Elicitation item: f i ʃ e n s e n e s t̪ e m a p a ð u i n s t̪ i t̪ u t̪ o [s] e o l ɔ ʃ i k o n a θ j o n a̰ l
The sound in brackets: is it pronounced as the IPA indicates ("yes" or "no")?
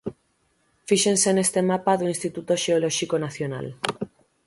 no